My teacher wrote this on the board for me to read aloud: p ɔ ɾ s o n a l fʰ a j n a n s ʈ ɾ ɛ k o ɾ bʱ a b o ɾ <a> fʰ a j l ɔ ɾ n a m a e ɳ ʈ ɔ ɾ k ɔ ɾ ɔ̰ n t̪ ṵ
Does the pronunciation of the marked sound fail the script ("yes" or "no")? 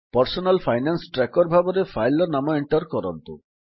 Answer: yes